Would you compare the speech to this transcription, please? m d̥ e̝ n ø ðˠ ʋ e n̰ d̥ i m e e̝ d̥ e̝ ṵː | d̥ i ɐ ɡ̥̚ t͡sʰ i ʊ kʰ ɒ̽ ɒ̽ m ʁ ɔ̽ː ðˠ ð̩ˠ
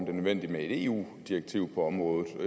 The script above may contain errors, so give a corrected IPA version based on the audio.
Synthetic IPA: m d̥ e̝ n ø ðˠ ʋ e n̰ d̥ i m e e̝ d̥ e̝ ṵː | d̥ i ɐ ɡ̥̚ t͡sʰ i ʊ pʰ ɒ̽ ɒ̽ m ʁ ɔ̽ː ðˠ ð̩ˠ

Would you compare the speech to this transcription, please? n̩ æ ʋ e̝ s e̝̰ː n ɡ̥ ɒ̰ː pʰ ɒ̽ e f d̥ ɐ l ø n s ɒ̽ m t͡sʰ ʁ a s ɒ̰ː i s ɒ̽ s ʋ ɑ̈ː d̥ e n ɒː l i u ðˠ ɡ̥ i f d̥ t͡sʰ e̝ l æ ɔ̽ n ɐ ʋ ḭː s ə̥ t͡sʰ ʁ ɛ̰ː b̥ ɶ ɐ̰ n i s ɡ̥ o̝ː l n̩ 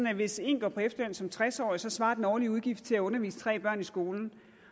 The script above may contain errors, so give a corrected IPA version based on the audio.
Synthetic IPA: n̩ æ ʋ e̝ s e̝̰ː n ɡ̥ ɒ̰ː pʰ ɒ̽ e f d̥ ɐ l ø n s ɒ̽ m t͡sʰ ʁ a s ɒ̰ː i s ɒ̽ s ʋ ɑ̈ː d̥ e n ɒː l i u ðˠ ɡ̥ i f d̥ t͡sʰ e̝ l æ ɔ̽ n ɐ ʋ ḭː s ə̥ t͡sʰ ʁ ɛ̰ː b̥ ɶ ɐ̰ n i s ɡ̥ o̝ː l n̩

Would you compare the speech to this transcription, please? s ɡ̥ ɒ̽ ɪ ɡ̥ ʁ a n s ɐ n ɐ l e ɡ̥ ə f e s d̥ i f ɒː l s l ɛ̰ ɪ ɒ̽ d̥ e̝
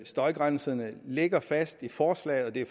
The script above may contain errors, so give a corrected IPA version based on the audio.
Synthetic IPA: s d̥ ɒ̽ ɪ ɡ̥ ʁ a n s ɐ n ə l e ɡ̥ ɐ f æ s d̥ i f ɒː s l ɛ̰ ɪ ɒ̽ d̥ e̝

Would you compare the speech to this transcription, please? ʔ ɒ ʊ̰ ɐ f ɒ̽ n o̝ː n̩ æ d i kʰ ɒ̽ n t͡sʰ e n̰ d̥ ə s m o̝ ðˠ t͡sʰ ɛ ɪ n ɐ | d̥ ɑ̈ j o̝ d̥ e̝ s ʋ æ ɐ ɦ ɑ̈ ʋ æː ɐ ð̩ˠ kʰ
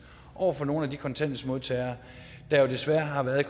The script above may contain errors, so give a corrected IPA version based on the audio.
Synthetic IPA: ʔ ɒ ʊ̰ ɐ f ɒ̽ n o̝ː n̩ æ d i kʰ ɒ̽ n t͡sʰ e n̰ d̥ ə s m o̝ ðˠ t͡sʰ ɛ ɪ ɐ | d̥ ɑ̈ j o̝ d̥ e̝ s ʋ æ ɐ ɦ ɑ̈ ʋ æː ɐ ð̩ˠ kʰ

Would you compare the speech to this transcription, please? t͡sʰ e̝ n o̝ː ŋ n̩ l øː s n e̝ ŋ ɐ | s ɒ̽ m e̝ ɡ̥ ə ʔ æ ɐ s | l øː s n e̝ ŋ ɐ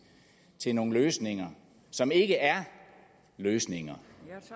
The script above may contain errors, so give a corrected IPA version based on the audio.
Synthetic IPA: t͡sʰ e̝ n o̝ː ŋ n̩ l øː s n e̝ ŋ ɐ | s ɒ̽ m e̝ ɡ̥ ə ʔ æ ɐ | l øː s n e̝ ŋ ɐ

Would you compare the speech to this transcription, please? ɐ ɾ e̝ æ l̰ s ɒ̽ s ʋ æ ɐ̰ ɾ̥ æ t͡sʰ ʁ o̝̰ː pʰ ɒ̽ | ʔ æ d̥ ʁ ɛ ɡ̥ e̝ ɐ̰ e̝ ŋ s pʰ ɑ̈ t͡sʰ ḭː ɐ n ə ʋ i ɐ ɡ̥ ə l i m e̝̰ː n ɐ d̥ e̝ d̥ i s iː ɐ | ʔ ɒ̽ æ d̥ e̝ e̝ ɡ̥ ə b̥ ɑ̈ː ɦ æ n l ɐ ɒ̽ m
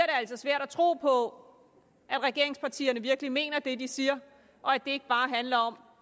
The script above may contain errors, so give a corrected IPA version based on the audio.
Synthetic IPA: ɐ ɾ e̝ æ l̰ s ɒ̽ s ʋ æ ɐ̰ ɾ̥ æ t͡sʰ ʁ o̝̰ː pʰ ɒ̽ | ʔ æ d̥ ʁ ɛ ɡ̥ e̝ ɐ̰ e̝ ŋ s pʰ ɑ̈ t͡sʰ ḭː ɐ n ə ʋ i ɐ ɡ̥ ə l i m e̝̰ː n ɐ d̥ e̝ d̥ i s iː ɐ | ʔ ɒ̽ æ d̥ e̝ e̝ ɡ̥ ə b̥ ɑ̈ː ɦ æ n l ɐ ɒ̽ m

